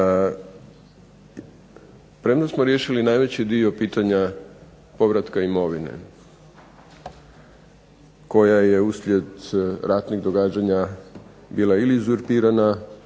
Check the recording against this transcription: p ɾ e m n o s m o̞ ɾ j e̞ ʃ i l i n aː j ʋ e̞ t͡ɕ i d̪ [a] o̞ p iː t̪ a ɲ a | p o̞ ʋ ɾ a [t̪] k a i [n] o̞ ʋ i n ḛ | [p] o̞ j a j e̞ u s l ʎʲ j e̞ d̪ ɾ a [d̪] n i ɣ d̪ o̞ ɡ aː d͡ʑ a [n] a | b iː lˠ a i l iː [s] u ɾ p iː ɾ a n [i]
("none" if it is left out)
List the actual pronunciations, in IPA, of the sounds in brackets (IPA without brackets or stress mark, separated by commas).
i, t̪, m, k, t̪, ɲ, z, a